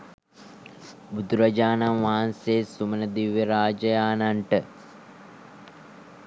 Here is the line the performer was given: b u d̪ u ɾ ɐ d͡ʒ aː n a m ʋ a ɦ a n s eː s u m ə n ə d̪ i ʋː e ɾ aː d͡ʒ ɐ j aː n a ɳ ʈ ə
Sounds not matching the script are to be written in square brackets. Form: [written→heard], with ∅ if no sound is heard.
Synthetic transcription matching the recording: b u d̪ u ɾ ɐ d͡ʒ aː n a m ʋ a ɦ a n s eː s u m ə n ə d̪ i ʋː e ɾ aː d͡ʒ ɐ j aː n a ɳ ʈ ə